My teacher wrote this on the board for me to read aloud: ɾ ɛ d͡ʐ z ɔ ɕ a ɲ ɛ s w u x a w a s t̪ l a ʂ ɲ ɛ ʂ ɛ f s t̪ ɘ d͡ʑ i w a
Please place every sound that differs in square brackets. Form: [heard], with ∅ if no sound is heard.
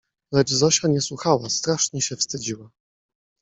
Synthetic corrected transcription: [l] ɛ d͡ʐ z ɔ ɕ a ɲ ɛ s w u x a w a s t̪ [ɾ] a ʂ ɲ ɛ [ɕ] ɛ f s t̪ ɘ d͡ʑ i w a

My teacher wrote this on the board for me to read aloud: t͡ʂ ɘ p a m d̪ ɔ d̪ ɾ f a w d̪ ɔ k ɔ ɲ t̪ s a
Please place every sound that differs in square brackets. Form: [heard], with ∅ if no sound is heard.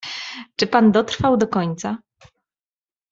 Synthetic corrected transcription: t͡ʂ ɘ p a [n] d̪ ɔ [t̪] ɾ f a w d̪ ɔ k ɔ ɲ t̪ s a

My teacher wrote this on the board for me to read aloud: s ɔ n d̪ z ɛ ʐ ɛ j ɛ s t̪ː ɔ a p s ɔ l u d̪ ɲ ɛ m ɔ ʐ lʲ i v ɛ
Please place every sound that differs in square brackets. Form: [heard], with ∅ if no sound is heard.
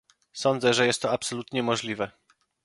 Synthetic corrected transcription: s ɔ n d̪ z ɛ ʐ ɛ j ɛ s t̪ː ɔ a p s ɔ l u [t̪] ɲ ɛ m ɔ ʐ lʲ i v ɛ

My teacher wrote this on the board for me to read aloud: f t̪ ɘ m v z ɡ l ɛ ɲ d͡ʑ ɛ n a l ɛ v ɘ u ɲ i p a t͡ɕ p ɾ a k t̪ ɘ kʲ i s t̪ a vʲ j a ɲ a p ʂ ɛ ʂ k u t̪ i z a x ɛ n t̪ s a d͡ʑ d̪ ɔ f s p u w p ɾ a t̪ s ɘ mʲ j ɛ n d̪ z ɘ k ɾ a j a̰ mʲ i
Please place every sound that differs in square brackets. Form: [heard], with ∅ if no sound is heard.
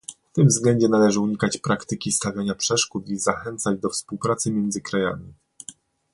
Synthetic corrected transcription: f t̪ ɘ m v z ɡ l ɛ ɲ d͡ʑ ɛ n a l ɛ [ʐ] ɘ u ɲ i [k] a t͡ɕ p ɾ a k t̪ ɘ kʲ i s t̪ a vʲ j a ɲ a p ʂ ɛ ʂ k u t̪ i z a x ɛ n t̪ s a d͡ʑ d̪ ɔ f s p u w p ɾ a t̪ s ɘ mʲ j ɛ n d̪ z ɘ k ɾ a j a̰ mʲ i

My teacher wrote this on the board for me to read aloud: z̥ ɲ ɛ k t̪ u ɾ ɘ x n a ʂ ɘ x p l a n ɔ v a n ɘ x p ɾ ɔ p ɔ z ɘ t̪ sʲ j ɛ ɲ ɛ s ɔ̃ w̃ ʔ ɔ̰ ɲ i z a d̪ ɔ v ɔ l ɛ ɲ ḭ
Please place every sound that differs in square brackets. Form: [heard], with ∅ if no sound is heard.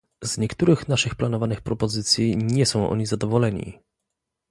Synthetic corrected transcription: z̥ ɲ ɛ k t̪ u ɾ ɘ x n a ʂ ɘ x p l a n ɔ v a n ɘ x p ɾ ɔ p ɔ z ɘ t̪ sʲ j [i] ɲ ɛ s ɔ̃ w̃ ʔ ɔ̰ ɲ i z a d̪ ɔ v ɔ l ɛ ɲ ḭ

